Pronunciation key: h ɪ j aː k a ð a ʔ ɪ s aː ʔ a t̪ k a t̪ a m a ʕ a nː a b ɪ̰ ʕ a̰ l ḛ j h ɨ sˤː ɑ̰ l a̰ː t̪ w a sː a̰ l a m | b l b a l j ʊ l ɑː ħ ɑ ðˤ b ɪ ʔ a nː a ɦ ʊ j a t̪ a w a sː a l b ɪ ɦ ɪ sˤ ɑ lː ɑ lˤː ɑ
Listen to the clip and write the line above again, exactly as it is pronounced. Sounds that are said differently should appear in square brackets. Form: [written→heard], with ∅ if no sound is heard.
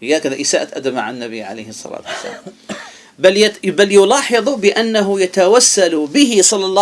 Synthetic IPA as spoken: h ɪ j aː k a ð a ʔ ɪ s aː ʔ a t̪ [k→ʔ] a [t̪→d̪] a m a ʕ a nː a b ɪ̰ ʕ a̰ l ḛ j h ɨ sˤː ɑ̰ l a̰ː t̪ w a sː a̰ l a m | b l b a l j ʊ l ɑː ħ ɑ ðˤ b ɪ ʔ a nː a ɦ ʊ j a t̪ a w a sː a l b ɪ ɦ ɪ sˤ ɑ lː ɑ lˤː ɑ